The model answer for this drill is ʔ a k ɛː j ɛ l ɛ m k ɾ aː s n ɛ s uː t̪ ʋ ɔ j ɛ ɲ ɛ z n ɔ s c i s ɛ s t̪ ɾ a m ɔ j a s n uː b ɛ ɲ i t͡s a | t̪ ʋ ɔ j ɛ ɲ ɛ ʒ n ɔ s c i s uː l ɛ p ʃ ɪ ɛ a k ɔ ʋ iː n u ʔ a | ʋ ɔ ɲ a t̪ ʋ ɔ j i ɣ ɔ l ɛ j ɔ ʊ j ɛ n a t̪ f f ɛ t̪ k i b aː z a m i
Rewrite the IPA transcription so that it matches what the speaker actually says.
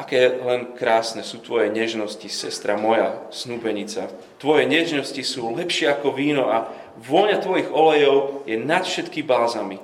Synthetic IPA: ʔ a k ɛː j ɛ l ɛ n k ɾ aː s n ɛ s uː t̪ ʋ ɔ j ɛ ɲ ɛ ʒ n ɔ s c i s ɛ s t̪ ɾ a m ɔ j a s n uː b ɛ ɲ i t͡s a | t̪ ʋ ɔ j ɛ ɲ ɛ ʒ n ɔ s c i s uː l ɛ p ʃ ɪ ɛ a k ɔ ʋ iː n ɔ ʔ a | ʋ ɔ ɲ a t̪ ʋ ɔ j i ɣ ɔ l ɛ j ɔ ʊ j ɛ n a t̪ f ʃ ɛ t̪ k i b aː z a m i